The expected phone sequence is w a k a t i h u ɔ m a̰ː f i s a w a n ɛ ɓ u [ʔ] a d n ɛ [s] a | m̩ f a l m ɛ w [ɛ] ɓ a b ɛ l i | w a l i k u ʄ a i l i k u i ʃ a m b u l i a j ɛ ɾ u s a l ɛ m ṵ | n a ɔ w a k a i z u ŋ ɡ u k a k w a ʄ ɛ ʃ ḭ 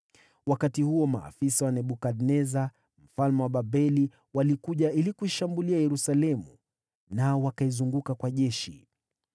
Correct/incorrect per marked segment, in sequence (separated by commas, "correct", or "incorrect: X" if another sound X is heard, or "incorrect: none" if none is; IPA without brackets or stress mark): incorrect: k, incorrect: z, incorrect: a